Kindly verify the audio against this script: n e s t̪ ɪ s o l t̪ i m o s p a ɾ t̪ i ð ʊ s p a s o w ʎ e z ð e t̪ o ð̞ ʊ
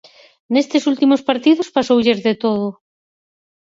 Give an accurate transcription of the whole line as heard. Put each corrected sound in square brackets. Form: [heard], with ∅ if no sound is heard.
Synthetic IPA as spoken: n e s t̪ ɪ s [u] l t̪ i m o s p a ɾ t̪ i ð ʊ s p a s o w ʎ e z ð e t̪ o ð̞ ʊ